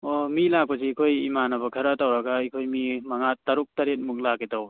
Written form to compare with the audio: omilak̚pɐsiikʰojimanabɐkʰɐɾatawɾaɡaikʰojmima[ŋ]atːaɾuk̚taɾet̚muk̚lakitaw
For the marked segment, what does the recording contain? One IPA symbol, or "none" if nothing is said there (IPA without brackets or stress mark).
ŋ